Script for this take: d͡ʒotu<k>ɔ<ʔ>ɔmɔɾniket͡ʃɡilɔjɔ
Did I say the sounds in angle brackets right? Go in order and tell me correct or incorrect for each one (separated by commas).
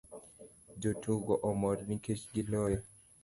incorrect, correct